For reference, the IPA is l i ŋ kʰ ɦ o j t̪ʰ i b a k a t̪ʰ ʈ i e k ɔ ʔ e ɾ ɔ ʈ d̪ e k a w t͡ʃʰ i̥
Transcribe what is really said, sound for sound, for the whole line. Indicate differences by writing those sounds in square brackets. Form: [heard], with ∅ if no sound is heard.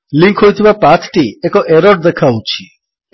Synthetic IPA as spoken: l i ŋ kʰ ɦ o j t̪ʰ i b a [p] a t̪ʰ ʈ i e k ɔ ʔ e ɾ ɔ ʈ d̪ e [kʰ] a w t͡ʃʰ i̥

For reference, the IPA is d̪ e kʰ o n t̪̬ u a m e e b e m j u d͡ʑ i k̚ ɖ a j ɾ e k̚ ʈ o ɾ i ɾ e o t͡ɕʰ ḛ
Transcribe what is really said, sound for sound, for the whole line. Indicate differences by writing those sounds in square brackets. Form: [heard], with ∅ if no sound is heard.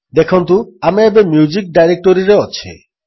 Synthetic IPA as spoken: d̪ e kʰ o n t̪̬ u a m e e b e m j u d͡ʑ i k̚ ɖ a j ɾ e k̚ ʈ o ɾ i ɾ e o t͡ɕʰ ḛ

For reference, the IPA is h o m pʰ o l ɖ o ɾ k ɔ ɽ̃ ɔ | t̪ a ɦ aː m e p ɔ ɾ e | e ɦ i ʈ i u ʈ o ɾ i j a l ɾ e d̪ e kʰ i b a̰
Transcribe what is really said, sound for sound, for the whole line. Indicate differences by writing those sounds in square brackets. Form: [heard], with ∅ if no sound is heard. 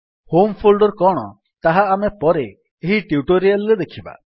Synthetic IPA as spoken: h o m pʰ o l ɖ [ɔ] ɾ k ɔ ɽ̃ ɔ | t̪ a ɦ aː m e p ɔ ɾ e | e ɦ i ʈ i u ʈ o ɾ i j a l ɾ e d̪ e kʰ i b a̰

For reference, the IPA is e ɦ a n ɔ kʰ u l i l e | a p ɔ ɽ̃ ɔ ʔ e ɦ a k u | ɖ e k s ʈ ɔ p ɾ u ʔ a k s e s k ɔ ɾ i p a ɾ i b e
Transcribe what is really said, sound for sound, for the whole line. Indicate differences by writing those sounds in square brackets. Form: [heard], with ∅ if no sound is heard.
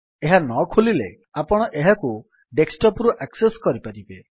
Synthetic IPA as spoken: e ɦ a n ɔ kʰ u l i l e | a p ɔ ɽ̃ ɔ ʔ e ɦ a k u | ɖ e k s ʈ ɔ p ɾ u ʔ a k s e s k ɔ ɾ i p a ɾ i b e

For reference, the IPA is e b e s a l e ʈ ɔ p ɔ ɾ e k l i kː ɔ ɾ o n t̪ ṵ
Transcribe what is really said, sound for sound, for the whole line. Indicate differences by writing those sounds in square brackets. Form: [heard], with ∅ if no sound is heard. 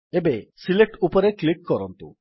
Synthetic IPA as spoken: e b e s [i] l e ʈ [u] p ɔ ɾ e k l i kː ɔ ɾ [ɔ] n t̪ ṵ

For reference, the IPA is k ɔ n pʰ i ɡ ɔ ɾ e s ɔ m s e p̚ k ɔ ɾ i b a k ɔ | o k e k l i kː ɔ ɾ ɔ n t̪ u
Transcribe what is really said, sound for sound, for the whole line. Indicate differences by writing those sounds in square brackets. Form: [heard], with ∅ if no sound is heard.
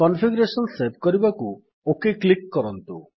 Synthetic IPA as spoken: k ɔ n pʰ i ɡ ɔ ɾ e s ɔ [n] s e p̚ k ɔ ɾ i b a k [u] | o k e k l i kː ɔ ɾ ɔ n t̪ u

